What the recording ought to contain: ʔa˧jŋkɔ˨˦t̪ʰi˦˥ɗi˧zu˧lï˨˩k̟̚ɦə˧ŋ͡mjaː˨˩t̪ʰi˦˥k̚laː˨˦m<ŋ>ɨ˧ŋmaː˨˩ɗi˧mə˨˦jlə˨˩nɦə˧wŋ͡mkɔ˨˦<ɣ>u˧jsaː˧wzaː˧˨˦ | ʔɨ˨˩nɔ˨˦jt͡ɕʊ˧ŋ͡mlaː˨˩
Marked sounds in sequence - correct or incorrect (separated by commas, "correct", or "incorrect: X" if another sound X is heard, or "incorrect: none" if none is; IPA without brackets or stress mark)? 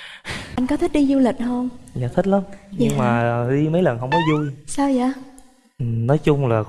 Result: incorrect: ɲ, incorrect: z